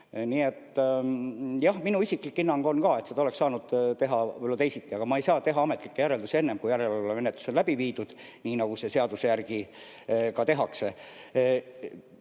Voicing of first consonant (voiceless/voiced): voiced